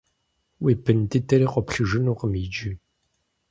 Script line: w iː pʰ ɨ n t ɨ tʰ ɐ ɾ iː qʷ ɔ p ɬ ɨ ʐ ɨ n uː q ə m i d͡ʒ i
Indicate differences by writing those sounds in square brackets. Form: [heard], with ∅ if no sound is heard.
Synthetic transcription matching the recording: w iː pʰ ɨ n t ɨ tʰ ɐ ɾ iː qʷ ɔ p ɬ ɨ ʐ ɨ n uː q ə m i d͡ʒ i